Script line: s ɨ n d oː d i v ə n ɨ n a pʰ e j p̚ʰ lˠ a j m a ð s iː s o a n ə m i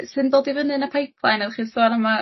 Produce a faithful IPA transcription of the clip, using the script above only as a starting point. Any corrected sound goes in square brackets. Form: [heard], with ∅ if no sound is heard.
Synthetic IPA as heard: s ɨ n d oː d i v ə n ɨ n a pʰ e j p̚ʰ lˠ a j [n] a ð [χ] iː s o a n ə m [a]